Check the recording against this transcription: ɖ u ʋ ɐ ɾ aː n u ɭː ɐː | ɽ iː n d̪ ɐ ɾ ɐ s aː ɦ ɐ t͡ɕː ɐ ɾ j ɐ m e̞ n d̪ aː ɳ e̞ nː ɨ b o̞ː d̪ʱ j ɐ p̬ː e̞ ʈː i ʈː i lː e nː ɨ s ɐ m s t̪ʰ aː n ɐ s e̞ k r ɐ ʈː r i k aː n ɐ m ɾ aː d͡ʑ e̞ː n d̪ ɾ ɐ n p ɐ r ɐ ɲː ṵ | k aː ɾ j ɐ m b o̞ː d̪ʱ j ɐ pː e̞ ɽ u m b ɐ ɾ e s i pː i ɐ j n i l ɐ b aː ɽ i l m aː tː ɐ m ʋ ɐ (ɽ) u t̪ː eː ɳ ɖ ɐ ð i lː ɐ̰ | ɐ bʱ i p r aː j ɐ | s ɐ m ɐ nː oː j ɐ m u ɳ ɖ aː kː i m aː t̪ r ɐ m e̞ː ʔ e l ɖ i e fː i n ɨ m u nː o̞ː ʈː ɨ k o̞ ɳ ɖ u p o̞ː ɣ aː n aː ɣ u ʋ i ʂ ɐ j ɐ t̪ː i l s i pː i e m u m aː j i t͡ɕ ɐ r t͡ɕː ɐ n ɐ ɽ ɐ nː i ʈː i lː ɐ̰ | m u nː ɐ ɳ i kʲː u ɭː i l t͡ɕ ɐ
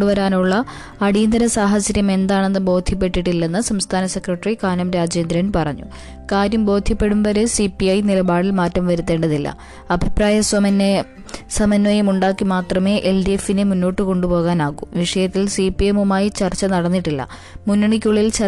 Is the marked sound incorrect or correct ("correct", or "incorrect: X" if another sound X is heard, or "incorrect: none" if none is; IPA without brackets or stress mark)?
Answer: incorrect: ɾ